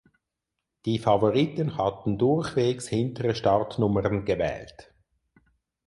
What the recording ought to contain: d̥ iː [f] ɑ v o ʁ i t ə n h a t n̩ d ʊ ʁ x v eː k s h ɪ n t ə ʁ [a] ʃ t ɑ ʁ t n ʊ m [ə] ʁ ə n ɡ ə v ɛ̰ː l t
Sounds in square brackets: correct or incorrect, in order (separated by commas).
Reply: correct, incorrect, correct